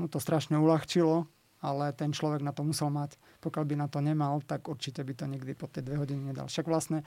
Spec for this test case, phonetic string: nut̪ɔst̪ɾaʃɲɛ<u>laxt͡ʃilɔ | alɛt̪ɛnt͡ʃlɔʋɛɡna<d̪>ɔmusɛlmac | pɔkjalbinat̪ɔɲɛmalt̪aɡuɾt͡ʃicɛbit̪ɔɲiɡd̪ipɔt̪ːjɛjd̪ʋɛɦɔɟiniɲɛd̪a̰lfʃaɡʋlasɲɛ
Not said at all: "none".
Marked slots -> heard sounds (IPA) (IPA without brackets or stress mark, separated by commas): u, t̪